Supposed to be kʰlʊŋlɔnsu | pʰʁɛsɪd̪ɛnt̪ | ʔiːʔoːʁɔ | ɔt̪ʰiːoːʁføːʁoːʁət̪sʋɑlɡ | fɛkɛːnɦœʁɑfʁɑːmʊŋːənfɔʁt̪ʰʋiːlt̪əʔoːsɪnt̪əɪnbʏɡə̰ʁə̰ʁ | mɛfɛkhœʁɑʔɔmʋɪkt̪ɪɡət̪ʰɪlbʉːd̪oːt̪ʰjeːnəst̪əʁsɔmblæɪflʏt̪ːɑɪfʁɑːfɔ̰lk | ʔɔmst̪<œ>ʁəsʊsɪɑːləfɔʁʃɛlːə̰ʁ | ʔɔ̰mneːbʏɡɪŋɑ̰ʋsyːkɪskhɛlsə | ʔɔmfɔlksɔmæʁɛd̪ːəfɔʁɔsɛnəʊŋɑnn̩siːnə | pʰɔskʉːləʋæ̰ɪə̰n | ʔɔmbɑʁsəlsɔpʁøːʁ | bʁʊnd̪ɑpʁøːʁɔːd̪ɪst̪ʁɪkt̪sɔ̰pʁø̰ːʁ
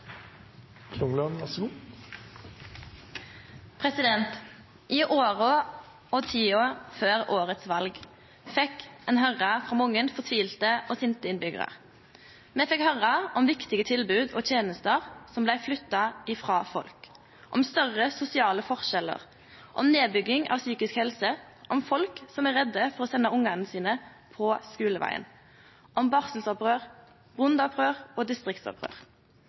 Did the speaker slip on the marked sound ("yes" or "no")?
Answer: no